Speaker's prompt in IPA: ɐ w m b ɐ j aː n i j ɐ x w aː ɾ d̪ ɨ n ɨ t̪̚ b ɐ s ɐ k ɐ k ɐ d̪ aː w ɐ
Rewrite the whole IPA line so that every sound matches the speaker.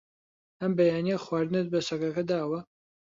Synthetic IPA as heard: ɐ m b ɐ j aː n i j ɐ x w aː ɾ d̪ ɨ n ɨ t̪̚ b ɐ s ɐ k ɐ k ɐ d̪ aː w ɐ